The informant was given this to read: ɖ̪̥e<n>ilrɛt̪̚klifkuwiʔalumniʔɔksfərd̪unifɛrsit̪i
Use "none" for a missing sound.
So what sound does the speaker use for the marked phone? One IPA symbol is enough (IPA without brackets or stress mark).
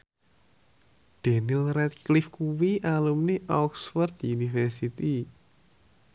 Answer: n